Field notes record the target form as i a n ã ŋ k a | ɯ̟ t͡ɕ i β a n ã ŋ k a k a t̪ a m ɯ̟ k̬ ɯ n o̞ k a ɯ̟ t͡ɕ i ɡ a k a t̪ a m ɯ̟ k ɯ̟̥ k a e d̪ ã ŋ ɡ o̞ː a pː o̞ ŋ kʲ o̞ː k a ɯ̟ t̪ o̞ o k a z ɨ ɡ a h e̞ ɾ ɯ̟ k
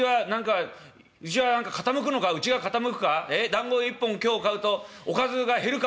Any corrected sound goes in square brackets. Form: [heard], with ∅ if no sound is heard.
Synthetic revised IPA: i a n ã ŋ k a | ɯ̟ t͡ɕ i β a n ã ŋ k a k a t̪ a m ɯ̟ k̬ ɯ n o̞ k a ɯ̟ t͡ɕ i ɡ a k a t̪ a m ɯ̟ k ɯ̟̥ k a e d̪ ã ŋ ɡ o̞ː [i] pː [õ̞] ŋ kʲ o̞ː k a ɯ̟ t̪ o̞ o k a z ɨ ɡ a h e̞ ɾ ɯ̟ k